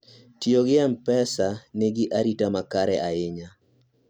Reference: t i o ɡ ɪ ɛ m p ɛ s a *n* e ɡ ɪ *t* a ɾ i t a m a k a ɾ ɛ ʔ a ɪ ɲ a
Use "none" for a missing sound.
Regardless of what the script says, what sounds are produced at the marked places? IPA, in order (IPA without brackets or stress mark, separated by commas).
n, ʔ